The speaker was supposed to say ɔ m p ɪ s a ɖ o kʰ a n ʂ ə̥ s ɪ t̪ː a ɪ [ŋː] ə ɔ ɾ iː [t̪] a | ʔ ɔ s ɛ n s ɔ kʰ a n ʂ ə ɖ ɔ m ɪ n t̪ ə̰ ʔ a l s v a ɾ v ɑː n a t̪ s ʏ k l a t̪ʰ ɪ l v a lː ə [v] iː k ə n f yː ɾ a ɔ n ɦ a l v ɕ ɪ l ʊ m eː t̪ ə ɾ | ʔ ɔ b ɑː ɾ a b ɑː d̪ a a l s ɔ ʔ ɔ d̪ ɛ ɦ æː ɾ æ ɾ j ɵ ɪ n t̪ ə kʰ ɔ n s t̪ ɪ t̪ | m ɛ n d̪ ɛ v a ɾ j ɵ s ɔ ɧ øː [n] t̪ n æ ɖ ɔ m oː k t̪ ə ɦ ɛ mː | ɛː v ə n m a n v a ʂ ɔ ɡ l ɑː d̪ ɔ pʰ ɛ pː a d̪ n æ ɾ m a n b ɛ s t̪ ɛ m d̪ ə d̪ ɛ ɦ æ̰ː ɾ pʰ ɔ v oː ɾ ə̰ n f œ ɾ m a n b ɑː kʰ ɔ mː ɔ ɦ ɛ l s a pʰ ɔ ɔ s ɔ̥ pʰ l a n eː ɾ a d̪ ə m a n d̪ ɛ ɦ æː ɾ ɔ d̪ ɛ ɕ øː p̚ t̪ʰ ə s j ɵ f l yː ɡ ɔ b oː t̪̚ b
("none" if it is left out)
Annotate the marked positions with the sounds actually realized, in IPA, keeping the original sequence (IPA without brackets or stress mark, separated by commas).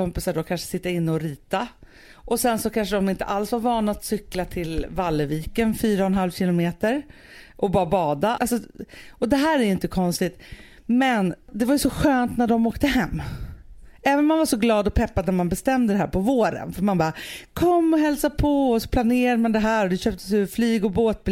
nː, t̪, v, n